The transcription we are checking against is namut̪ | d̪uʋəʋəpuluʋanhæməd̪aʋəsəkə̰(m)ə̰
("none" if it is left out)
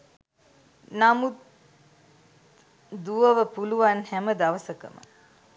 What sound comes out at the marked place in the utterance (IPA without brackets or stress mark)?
m